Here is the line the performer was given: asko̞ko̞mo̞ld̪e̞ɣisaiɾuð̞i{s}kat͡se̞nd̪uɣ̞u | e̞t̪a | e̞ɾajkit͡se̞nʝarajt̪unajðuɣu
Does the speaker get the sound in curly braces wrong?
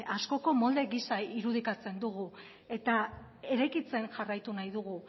yes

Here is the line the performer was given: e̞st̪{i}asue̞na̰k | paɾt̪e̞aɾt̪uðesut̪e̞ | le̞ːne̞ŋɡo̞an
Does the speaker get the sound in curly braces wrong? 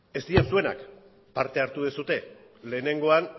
no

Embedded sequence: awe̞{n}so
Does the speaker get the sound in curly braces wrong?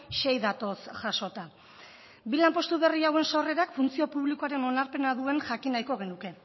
no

